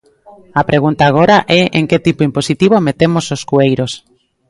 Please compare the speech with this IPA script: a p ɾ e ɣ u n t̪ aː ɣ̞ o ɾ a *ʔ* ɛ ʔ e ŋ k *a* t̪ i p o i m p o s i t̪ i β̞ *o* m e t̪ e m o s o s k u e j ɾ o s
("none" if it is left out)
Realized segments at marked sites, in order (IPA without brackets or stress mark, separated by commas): ʔ, e, o